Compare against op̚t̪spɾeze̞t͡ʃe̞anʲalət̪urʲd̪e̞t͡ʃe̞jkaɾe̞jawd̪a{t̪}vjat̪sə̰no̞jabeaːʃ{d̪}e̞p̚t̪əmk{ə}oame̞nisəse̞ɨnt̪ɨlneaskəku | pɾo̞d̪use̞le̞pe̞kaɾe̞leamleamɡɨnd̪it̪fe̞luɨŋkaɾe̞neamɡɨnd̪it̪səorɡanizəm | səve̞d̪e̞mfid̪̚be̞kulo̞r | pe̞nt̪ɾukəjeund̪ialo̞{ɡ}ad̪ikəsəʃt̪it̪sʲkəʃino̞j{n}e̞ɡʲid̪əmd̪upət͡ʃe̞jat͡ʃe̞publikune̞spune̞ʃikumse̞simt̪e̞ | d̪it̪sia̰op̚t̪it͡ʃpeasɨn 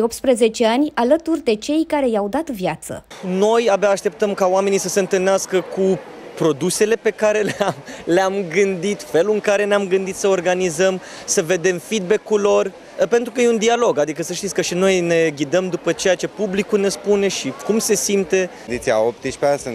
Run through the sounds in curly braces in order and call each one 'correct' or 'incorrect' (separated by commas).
correct, incorrect, incorrect, correct, correct